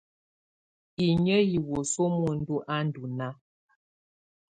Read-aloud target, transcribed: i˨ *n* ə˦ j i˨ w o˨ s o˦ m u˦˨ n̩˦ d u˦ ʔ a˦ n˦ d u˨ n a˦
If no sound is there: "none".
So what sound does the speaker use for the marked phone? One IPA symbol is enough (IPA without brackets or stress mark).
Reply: ɲ